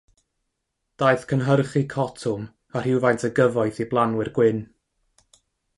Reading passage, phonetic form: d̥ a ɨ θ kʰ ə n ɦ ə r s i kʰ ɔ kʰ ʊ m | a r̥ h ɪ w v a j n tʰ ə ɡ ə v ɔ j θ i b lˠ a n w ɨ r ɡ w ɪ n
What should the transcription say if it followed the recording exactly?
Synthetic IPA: d̥ a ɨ θ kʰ ə n ɦ ə r χ i kʰ ɔ tʰ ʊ m | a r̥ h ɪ w v a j n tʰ ə ɡ ə v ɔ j θ i b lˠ a n w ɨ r ɡ w ɪ n